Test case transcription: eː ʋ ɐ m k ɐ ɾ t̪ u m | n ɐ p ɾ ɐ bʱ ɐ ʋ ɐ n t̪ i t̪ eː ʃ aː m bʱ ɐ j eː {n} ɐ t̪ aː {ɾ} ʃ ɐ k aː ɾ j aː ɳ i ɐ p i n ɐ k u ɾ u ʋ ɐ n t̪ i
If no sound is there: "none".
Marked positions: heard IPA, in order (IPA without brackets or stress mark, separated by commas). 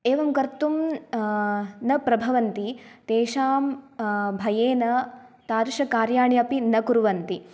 n, ɾ